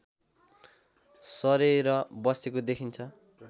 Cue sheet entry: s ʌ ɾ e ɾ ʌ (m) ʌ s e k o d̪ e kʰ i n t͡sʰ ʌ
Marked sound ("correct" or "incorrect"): incorrect